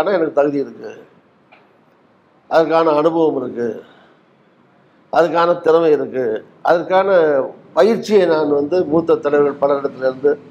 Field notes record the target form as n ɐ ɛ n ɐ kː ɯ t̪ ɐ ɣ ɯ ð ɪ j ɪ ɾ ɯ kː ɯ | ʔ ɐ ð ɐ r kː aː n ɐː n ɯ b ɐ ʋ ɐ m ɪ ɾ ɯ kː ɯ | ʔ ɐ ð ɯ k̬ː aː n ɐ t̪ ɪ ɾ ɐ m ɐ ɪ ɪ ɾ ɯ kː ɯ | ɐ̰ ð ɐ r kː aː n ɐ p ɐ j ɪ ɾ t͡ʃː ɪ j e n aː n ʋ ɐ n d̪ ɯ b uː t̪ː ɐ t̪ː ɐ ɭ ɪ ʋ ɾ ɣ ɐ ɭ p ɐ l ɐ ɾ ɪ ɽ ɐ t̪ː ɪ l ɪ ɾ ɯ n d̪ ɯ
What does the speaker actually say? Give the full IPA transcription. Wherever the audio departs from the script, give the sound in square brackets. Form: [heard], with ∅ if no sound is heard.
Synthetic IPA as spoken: n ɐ ɛ n ɐ kː ɯ t̪ ɐ ɣ ɯ ð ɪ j ɪ ɾ ɯ kː ɯ | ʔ ɐ ð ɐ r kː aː n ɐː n ɯ b ɐ ʋ ɐ m ɪ ɾ ɯ kː ɯ | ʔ ɐ ð ɯ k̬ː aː n ɐ t̪ ɪ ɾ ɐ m ɐ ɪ ɪ ɾ ɯ kː ɯ | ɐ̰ ð ɐ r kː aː n ɐ p ɐ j ɪ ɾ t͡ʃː ɪ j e n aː n ʋ ɐ n d̪ ɯ [m] uː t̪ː ɐ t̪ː ɐ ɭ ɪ ʋ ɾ ɣ ɐ ɭ p ɐ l ɐ ɾ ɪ ɽ ɐ t̪ː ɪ l ɪ ɾ ɯ n d̪ ɯ